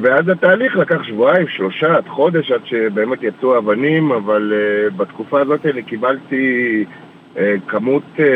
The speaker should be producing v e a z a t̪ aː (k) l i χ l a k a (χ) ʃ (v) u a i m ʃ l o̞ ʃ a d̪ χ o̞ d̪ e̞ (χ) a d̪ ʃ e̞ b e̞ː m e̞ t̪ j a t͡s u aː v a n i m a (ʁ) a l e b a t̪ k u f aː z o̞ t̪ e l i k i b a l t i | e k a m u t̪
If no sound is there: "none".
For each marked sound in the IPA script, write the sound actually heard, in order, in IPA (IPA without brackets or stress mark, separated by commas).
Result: none, χ, v, ʃ, v